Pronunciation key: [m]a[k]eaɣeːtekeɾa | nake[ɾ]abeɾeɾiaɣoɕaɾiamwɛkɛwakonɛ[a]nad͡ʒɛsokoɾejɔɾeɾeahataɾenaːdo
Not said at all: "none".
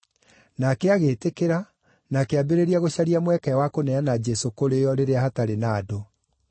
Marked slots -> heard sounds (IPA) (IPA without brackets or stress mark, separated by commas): n, k, none, a